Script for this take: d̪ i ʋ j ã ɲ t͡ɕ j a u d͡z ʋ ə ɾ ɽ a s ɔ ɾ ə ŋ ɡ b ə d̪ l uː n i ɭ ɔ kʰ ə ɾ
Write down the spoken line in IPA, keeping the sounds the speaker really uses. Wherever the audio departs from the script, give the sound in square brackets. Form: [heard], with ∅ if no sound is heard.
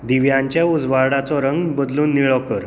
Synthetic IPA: d̪ i ʋ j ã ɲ t͡ɕ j a u d͡z ʋ [a] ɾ ɽ a [t͡s] ɔ ɾ ə ŋ ɡ b ə d̪ l uː [nː] i ɭ ɔ [k] ə ɾ